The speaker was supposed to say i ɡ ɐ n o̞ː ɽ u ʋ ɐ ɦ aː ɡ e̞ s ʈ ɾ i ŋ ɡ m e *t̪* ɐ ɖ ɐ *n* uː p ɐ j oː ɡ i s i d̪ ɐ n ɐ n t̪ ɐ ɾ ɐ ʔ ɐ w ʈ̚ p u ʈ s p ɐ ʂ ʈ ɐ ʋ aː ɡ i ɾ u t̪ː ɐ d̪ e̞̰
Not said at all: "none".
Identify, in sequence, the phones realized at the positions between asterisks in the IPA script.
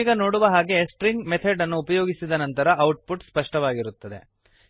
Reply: t̪ʰ, nː

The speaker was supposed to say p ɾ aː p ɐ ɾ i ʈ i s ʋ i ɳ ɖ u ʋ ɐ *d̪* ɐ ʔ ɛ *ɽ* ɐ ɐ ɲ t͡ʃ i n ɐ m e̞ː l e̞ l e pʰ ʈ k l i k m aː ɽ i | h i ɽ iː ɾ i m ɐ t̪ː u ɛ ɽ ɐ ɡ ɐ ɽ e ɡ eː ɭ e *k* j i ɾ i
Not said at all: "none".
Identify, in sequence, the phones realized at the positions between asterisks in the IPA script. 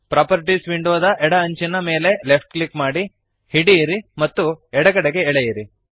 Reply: d̪, ɽ, none

